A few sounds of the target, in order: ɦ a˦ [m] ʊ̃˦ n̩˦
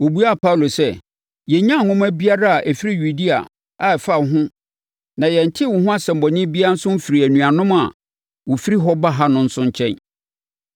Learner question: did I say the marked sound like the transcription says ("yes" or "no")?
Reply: no